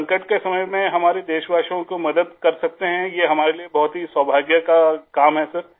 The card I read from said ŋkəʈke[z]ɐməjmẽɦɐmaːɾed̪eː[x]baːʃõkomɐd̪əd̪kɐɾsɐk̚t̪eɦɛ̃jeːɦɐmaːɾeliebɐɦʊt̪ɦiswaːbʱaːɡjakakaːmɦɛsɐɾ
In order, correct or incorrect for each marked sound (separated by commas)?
incorrect, incorrect